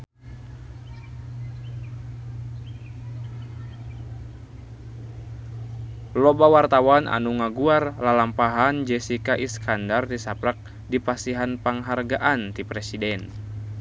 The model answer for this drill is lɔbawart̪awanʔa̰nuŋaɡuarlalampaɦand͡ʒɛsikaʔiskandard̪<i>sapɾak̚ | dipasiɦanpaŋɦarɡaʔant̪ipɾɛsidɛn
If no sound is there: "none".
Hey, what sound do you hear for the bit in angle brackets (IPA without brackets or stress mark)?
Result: i